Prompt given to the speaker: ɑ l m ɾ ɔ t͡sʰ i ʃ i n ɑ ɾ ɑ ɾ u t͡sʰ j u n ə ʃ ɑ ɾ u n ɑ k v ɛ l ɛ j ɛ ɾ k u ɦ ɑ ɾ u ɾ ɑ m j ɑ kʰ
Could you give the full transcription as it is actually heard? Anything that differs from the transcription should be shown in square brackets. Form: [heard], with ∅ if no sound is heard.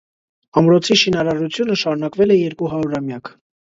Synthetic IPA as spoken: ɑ [∅] m ɾ ɔ t͡sʰ i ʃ i n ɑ ɾ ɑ ɾ u t͡sʰ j u n ə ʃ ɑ ɾ u n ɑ k v ɛ l ɛ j ɛ ɾ k u ɦ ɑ ɾ u ɾ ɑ m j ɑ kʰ